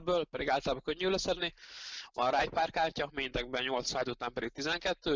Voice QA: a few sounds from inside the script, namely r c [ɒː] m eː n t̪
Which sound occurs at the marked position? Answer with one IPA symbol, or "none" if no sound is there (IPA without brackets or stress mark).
ɒ